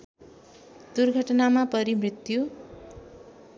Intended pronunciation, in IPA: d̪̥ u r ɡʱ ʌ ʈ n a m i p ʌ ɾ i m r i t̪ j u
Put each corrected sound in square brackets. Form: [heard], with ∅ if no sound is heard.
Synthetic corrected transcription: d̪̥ u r ɡʱ ʌ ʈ n a m [a] p ʌ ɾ i m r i t̪ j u